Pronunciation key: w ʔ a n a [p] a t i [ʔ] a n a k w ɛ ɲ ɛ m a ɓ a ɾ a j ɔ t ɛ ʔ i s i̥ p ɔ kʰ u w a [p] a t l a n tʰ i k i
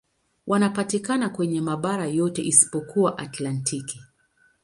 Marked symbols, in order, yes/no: yes, no, no

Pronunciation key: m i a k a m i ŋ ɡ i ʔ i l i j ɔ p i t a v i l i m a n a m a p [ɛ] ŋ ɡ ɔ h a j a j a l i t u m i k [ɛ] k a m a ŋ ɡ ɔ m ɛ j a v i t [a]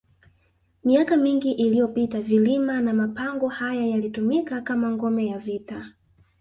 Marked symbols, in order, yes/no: no, no, yes

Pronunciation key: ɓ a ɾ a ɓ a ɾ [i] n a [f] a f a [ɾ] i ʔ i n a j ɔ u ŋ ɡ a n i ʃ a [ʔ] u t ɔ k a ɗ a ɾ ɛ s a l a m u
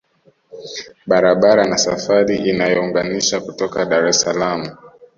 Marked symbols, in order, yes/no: no, no, yes, no

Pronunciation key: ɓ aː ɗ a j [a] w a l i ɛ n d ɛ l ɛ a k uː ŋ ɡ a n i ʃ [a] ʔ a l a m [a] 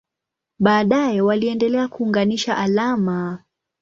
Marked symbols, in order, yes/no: no, yes, yes

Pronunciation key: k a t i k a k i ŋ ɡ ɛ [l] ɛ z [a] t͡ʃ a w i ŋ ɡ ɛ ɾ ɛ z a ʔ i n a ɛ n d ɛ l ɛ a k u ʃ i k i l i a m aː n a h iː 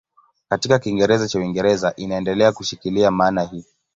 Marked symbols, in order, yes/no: no, yes

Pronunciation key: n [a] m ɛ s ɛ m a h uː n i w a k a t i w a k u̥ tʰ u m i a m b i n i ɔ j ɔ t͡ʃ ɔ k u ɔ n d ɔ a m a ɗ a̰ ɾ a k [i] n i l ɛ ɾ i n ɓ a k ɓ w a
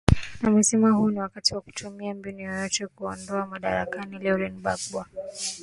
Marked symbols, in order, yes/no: yes, no

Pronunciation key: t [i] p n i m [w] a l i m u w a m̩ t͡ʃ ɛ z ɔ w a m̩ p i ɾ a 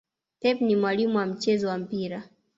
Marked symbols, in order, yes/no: no, yes

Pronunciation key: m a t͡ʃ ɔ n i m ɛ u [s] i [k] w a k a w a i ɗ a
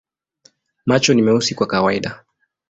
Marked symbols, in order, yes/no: yes, yes

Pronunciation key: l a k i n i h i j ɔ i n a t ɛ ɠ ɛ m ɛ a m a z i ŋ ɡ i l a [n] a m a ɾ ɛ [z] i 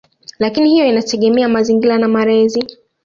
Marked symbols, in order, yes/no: yes, yes

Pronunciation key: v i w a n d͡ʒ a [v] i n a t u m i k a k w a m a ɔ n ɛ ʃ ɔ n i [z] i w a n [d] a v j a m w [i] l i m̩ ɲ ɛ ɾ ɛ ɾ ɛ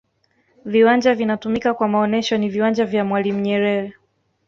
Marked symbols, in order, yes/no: yes, no, no, no

